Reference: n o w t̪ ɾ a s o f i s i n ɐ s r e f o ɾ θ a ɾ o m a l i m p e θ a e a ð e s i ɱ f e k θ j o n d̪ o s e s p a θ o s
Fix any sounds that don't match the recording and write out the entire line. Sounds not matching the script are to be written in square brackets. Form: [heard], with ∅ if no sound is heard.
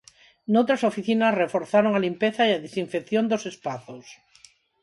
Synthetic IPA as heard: n o w t̪ ɾ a s o f i [θ] i n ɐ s r e f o ɾ θ a ɾ o [ŋ] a l i m p e θ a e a ð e s i ɱ f e k θ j o n d̪ o s e s p a θ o s